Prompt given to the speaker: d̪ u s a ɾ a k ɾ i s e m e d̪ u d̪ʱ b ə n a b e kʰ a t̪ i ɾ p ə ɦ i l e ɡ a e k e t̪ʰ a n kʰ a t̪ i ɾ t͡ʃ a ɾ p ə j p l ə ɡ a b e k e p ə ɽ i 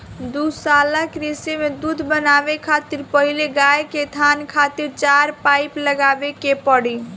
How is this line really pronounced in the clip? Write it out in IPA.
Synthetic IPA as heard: d̪ u s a l a k ɾ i s e m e d̪ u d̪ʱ b ə n a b e kʰ a t̪ i ɾ p ə ɦ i l e ɡ a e k e t̪ʰ a n kʰ a t̪ i ɾ t͡ʃ a ɾ p a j p l ə ɡ a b e k e p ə ɽ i